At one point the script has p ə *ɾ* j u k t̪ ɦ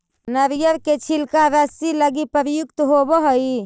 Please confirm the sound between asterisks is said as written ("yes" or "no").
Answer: yes